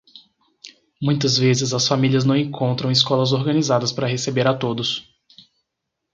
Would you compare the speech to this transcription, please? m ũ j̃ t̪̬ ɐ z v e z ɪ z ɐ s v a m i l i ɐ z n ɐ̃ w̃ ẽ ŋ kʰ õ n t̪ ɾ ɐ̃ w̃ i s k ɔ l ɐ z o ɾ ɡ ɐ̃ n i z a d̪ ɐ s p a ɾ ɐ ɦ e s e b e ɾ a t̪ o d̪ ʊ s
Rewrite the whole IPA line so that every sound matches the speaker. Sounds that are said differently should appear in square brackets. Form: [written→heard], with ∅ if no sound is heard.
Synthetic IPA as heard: m ũ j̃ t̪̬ ɐ z v e z ɪ z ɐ s [v→f] a m i l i ɐ z n ɐ̃ w̃ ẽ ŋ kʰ õ n t̪ ɾ ɐ̃ w̃ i s k ɔ l ɐ z o ɾ ɡ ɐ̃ n i z a d̪ ɐ s p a ɾ ɐ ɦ e s e b e ɾ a t̪ o d̪ ʊ s

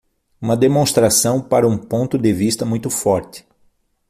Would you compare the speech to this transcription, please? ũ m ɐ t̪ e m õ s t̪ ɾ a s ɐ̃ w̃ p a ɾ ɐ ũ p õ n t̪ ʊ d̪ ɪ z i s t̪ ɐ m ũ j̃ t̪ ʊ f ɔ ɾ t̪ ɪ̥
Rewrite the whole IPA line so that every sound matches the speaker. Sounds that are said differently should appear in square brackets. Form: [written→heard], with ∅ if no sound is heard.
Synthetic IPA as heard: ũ m ɐ [t̪→d̪] e m õ s t̪ ɾ a s ɐ̃ w̃ p a ɾ ɐ ũ p õ n t̪ ʊ d̪ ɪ [z→v] i s t̪ ɐ m ũ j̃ t̪ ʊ f ɔ ɾ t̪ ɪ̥

